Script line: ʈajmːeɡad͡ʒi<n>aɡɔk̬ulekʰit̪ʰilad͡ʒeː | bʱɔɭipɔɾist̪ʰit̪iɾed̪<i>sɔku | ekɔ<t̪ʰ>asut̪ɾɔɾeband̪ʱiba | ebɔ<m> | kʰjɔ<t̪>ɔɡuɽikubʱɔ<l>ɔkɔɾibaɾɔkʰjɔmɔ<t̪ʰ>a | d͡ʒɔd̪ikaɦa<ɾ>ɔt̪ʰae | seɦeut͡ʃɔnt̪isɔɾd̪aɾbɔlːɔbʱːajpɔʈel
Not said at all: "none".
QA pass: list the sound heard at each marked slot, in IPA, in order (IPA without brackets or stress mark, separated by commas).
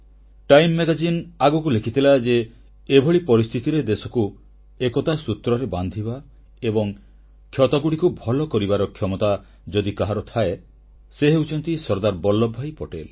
n, e, t̪, ŋ, t̪, l, t̪, ɾ